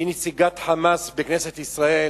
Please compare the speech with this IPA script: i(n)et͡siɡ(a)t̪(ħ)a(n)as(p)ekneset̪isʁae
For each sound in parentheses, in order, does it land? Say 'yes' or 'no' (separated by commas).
yes, yes, yes, no, no